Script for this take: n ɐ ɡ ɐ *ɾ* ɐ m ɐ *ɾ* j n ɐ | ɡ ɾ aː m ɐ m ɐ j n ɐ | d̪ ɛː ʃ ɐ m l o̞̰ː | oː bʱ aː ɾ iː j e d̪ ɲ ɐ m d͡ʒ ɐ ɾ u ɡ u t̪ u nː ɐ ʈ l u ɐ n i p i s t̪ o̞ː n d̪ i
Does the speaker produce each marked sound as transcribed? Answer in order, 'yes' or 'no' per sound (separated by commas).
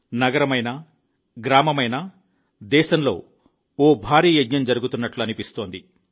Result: yes, no